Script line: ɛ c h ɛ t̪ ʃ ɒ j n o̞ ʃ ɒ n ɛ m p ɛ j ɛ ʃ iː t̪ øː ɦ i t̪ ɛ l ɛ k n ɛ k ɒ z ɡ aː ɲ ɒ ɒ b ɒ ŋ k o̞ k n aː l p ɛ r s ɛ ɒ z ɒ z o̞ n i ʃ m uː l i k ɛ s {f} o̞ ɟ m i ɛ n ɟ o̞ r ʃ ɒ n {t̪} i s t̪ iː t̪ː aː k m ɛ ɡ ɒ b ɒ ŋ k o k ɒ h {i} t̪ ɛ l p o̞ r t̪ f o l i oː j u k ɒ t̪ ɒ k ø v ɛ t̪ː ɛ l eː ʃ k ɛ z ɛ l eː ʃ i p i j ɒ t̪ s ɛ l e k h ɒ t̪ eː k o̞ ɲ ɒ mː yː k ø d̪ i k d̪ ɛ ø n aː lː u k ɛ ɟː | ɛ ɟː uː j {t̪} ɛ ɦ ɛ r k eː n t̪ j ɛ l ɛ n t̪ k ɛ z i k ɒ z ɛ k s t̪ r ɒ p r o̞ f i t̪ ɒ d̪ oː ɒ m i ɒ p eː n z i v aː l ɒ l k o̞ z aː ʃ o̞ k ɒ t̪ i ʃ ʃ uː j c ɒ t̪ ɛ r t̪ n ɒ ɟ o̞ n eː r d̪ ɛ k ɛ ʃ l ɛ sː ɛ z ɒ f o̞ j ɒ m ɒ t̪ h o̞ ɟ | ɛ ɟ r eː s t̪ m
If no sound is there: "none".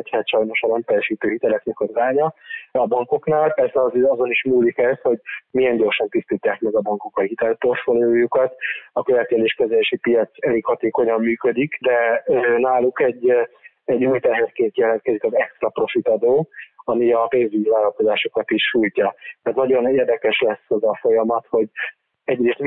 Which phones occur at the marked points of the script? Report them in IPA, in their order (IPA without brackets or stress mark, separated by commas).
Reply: h, t̪, i, t̪